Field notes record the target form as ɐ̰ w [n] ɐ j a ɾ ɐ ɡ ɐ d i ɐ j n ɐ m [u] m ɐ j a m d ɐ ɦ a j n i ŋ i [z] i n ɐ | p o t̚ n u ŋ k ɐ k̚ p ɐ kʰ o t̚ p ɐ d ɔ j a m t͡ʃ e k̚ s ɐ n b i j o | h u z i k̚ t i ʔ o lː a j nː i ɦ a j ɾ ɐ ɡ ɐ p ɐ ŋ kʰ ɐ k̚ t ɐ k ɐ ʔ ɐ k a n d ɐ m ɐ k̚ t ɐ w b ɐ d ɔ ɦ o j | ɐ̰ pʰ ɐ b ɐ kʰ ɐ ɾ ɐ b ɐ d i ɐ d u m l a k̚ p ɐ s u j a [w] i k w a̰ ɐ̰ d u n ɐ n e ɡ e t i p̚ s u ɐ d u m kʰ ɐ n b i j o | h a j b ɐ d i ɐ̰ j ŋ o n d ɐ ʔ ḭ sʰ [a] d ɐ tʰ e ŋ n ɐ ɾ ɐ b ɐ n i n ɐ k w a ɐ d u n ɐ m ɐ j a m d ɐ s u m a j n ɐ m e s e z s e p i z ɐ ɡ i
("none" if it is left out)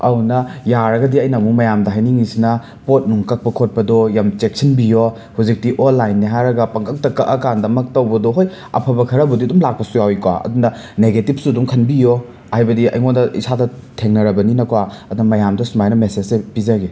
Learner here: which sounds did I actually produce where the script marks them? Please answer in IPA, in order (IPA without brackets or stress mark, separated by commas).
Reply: n, u, s, w, a